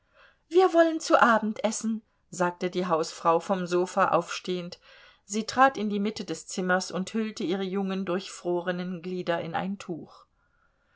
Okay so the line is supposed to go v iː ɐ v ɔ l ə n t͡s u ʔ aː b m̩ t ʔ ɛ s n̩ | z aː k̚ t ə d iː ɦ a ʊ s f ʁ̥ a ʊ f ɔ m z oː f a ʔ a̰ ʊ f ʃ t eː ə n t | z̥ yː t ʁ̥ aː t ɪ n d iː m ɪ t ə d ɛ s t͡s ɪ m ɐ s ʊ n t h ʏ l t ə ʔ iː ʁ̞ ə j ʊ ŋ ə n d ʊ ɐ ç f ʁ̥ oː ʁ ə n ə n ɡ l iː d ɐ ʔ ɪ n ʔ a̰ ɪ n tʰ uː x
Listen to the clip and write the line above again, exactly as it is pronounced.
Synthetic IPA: v iː ɐ v ɔ l ə n t͡s u ʔ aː b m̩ t ʔ ɛ s n̩ | z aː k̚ t ə d iː ɦ a ʊ s f ʁ̥ a ʊ f ɔ m z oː f a ʔ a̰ ʊ f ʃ t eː ə n t | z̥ iː t ʁ̥ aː t ɪ n d iː m ɪ t ə d ɛ s t͡s ɪ m ɐ s ʊ n t h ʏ l t ə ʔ iː ʁ̞ ə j ʊ ŋ ə n d ʊ ɐ ç f ʁ̥ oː ʁ ə n ə n ɡ l iː d ɐ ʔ ɪ n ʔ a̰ ɪ n tʰ uː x